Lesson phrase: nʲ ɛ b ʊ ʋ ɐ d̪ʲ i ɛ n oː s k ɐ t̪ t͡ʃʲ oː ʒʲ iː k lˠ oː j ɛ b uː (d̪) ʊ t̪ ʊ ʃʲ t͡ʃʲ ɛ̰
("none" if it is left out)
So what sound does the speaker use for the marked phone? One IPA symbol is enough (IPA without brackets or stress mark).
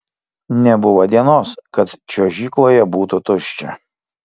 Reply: t̪